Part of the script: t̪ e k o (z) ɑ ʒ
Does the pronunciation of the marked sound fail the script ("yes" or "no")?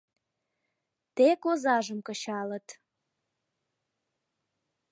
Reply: no